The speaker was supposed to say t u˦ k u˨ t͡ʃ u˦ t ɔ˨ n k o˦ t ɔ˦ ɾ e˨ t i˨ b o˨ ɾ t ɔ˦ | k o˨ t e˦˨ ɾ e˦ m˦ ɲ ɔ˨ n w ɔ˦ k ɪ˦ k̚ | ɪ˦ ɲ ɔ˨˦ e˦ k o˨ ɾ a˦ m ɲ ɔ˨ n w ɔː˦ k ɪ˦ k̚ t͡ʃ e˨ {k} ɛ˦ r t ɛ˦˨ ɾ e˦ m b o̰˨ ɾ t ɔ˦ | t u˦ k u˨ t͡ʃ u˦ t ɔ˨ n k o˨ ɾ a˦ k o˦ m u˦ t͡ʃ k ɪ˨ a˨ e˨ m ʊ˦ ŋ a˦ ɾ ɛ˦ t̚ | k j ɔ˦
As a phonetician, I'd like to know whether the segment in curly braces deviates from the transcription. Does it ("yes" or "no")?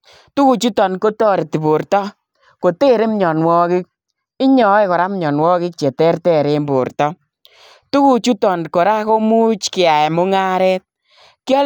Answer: yes